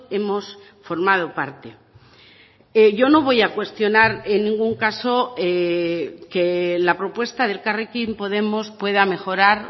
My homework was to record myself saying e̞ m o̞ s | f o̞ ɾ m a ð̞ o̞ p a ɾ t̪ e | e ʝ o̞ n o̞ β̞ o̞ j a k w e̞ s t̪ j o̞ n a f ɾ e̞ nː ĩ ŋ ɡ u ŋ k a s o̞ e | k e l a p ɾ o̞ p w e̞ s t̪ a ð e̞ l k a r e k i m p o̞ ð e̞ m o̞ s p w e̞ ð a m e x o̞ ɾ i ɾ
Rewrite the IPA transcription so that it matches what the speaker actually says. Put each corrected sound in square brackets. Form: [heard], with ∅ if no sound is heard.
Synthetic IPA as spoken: e̞ m o̞ s | f o̞ ɾ m a ð̞ o̞ p a ɾ t̪ e | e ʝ o̞ n o̞ β̞ o̞ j a k w e̞ s t̪ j o̞ n a [∅] ɾ e̞ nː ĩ ŋ ɡ u ŋ k a s o̞ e | k e l a p ɾ o̞ p w e̞ s t̪ a ð e̞ l k a r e k i m p o̞ ð e̞ m o̞ s p w e̞ ð a m e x o̞ ɾ [a] ɾ